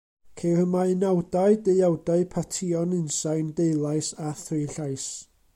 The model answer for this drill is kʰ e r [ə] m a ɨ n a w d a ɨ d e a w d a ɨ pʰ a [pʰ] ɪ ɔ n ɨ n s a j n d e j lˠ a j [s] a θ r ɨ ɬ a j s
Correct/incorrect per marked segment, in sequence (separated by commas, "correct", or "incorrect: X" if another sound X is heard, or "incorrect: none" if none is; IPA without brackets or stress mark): correct, incorrect: tʰ, correct